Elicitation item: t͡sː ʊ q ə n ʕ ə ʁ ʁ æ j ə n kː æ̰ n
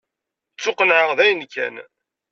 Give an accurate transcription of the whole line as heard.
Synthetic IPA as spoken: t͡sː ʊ q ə n ʕ ə ʁ ð æ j ə n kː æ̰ n

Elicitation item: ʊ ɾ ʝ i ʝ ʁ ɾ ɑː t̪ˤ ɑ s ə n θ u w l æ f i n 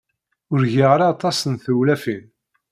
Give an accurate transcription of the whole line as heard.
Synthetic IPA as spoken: ʊ ɾ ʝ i ʁ ɾ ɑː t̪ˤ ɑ s ə n θ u w l æ f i n

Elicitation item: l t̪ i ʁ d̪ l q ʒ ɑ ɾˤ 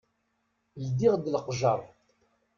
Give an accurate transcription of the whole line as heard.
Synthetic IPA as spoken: l d̪ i ʁ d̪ l q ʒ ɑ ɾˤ

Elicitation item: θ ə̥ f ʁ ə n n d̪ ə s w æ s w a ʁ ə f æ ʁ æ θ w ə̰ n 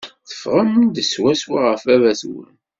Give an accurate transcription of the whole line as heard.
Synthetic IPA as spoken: θ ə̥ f ʁ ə m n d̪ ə s w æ s w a ʁ ə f æ v æ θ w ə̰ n

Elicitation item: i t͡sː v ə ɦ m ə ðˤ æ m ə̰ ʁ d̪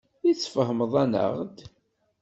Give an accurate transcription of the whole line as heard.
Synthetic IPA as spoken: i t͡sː f ə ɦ m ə ðˤ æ n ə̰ ʁ d̪

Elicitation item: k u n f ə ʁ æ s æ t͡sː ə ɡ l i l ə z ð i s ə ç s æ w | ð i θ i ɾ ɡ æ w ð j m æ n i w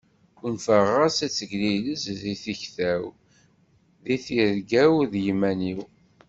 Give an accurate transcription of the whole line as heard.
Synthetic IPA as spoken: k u n f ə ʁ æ s æ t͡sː ə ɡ l i l ə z ð i θ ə ç θ æ w | ð i θ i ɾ ɡ æ w ð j m æ n i w

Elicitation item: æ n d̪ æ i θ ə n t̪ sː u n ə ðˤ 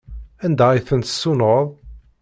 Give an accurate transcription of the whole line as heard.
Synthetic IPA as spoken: æ n d̪ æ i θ ə n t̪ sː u n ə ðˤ

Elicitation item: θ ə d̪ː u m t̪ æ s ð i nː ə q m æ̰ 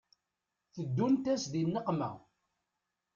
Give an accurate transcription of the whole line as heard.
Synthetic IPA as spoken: θ ə d̪ː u n t̪ æ s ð i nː ə q m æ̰

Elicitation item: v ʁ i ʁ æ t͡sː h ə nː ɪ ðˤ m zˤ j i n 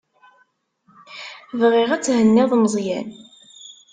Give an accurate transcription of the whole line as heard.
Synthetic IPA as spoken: v ʁ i ʁ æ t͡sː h ə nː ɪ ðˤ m zˤ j æ n

